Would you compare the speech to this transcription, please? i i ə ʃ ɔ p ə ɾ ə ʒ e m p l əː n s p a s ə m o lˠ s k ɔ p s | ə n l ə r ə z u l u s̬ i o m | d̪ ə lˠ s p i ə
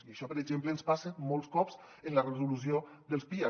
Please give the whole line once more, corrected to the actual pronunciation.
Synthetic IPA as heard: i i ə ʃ ɔ p ə ɾ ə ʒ e m p l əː n s p a s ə m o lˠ s k ɔ p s | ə n l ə r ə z u l u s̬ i o | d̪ ə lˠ s p i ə